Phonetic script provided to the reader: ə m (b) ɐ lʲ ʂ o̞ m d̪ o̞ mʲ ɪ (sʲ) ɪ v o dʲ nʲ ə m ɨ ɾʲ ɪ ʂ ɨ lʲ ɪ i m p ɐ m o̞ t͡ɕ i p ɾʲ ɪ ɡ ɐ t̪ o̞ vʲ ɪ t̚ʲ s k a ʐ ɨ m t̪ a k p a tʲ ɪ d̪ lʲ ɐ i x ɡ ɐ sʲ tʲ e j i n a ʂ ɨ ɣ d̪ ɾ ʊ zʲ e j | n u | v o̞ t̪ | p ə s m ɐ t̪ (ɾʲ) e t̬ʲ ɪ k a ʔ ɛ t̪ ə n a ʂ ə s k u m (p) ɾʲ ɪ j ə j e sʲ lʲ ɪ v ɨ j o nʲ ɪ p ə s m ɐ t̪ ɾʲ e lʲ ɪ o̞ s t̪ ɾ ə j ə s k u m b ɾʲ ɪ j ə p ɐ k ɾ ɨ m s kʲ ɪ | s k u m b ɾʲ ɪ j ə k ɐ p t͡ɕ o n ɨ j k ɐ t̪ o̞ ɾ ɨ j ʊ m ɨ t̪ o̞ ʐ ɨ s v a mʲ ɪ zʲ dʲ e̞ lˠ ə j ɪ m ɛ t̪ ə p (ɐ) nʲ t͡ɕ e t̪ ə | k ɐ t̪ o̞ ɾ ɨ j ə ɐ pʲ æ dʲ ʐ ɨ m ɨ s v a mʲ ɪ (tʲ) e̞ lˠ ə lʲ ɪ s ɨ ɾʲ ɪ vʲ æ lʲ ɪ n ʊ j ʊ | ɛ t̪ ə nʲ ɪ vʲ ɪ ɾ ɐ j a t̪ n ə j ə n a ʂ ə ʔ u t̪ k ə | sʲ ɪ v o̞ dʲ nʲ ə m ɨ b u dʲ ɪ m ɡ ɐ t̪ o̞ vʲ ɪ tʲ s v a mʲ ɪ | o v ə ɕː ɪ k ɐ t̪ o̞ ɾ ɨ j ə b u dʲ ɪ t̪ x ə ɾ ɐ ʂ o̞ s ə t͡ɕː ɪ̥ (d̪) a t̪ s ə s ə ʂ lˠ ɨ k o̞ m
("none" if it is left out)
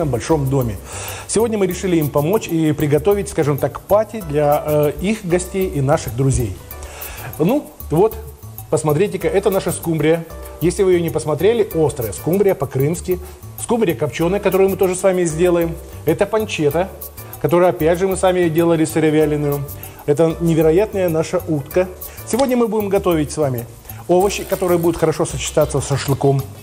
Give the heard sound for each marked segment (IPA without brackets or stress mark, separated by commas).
b, sʲ, ɾʲ, b, ɐ, dʲ, t̪